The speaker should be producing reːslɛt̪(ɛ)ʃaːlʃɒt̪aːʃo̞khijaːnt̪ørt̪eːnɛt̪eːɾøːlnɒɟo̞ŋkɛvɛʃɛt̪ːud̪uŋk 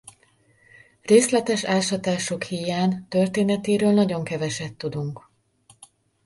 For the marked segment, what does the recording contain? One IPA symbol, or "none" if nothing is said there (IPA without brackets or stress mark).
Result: ɛ